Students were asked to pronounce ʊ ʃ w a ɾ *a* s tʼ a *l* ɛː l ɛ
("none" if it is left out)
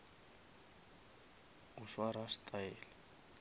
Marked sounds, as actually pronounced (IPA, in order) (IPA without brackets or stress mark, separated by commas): a, none